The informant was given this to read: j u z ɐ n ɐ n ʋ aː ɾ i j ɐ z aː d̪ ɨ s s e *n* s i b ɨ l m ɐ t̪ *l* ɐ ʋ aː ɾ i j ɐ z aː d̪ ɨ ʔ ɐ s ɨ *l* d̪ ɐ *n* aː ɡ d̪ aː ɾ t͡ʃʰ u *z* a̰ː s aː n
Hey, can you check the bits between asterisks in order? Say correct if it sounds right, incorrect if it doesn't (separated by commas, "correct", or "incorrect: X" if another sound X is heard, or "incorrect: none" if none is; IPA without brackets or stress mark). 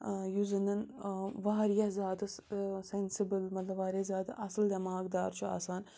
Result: correct, correct, correct, incorrect: m, incorrect: none